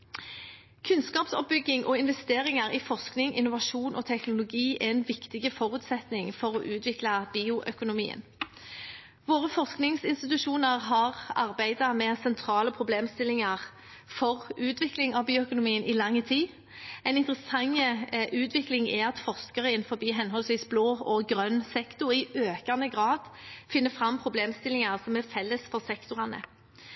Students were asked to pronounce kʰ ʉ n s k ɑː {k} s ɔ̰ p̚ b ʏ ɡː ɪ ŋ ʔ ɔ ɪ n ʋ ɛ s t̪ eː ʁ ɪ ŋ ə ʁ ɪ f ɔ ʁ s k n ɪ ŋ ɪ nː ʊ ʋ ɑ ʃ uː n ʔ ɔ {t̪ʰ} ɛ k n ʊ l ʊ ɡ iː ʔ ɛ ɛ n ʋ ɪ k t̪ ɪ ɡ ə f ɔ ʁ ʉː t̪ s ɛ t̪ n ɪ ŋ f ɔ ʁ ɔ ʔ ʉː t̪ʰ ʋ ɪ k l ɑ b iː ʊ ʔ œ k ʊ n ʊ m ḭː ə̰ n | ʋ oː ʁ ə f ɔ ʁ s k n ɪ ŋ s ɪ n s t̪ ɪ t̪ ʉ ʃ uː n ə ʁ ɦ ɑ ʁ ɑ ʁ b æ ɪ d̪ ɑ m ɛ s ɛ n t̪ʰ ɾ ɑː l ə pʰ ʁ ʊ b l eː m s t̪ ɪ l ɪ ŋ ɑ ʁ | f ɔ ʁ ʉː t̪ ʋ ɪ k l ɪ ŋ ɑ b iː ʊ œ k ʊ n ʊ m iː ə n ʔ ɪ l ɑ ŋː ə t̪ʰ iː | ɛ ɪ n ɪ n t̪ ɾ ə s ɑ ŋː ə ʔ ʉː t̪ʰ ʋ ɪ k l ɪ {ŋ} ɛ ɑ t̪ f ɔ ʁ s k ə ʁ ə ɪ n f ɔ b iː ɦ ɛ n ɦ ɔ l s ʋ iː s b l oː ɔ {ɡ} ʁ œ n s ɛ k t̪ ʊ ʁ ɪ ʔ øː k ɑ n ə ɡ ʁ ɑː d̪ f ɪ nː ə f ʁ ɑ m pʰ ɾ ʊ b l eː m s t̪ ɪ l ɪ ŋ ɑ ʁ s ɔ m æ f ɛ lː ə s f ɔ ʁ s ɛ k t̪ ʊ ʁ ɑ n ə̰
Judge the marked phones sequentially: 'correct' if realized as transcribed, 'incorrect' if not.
incorrect: p, correct, correct, correct

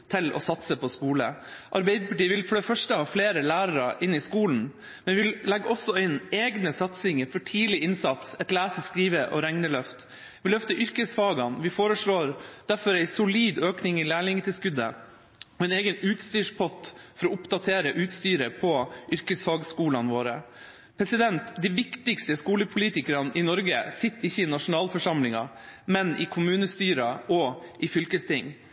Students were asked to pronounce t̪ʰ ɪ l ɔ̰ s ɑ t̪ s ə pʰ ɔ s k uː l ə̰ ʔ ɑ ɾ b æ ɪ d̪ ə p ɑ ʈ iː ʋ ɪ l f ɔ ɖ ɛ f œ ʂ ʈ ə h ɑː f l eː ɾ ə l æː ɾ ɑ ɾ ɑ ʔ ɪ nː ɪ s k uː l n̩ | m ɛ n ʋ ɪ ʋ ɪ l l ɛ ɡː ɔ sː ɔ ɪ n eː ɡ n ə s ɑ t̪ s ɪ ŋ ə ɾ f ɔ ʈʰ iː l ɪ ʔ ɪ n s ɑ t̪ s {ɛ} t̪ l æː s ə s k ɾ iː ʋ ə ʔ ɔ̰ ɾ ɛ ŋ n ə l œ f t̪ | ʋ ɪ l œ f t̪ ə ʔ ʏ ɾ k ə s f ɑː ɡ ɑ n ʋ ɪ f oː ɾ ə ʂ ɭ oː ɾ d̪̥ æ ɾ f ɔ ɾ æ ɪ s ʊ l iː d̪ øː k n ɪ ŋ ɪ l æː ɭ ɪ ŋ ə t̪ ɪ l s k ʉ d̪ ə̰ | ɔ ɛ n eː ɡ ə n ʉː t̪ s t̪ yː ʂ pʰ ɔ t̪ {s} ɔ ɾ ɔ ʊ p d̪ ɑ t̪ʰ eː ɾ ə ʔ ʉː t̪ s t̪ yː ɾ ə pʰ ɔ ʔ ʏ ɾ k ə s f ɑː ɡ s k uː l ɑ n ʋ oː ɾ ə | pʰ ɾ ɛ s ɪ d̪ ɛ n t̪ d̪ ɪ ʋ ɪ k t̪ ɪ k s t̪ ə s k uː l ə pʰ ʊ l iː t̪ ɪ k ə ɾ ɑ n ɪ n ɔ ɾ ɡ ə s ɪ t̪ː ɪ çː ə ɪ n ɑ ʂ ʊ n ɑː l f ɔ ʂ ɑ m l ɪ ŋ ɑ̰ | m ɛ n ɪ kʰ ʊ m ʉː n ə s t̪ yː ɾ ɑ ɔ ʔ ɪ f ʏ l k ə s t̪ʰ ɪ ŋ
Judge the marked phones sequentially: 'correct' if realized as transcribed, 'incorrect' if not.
correct, incorrect: f

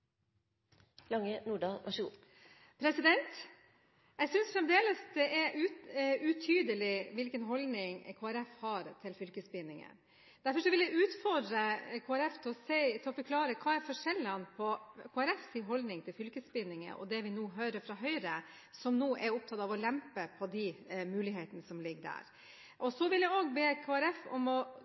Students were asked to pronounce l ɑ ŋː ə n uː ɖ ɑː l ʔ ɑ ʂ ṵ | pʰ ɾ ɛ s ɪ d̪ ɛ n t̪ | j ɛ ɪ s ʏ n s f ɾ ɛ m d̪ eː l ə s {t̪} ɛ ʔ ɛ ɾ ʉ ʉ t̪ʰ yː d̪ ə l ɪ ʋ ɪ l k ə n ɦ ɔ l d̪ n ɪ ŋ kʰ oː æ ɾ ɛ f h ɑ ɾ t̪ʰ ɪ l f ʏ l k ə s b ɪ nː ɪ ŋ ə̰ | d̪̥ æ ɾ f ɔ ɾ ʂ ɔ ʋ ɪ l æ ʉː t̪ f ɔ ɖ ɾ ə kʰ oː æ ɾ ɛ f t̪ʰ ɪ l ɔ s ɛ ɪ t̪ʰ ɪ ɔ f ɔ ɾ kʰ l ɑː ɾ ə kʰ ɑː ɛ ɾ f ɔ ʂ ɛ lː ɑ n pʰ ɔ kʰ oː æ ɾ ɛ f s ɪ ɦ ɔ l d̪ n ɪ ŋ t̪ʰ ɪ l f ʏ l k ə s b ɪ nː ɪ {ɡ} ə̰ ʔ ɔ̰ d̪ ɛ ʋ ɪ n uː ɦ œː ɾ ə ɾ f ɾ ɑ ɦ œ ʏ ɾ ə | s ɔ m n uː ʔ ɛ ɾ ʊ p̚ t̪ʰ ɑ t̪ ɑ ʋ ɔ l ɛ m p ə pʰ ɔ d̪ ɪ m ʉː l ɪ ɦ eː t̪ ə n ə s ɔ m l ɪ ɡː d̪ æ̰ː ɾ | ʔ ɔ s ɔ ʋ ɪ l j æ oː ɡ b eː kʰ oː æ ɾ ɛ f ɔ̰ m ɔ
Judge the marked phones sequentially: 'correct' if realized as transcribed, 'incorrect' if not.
incorrect: d̪, incorrect: ŋ

